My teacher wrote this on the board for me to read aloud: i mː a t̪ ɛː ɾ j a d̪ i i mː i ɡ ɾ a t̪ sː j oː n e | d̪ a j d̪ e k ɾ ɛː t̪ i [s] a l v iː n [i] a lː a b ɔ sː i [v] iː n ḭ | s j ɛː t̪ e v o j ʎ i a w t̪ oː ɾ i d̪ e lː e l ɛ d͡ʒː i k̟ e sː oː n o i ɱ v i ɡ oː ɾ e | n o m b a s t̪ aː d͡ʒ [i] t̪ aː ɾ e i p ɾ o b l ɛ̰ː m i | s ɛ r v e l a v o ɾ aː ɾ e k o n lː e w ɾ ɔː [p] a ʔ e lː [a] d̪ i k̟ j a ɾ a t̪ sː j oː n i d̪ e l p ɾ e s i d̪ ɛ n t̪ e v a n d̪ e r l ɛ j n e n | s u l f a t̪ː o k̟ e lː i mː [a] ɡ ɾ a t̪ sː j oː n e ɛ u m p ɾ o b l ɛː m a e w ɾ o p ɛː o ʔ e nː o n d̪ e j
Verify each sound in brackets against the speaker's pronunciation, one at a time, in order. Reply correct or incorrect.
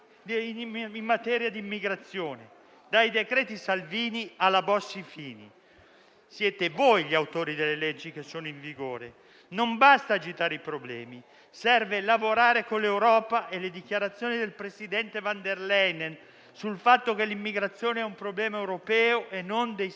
correct, correct, incorrect: f, correct, correct, incorrect: e, incorrect: i

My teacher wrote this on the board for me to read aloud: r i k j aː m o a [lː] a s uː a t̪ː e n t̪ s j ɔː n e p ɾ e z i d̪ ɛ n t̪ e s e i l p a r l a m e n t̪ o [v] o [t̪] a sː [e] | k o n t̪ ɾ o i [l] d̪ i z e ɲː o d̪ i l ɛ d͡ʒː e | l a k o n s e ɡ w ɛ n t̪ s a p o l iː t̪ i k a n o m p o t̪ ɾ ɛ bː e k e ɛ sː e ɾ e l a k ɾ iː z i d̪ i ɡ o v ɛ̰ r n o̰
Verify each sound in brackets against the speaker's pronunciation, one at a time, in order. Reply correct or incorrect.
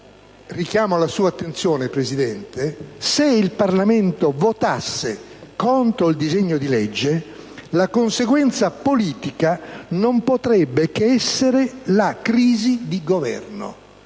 incorrect: l, correct, correct, correct, correct

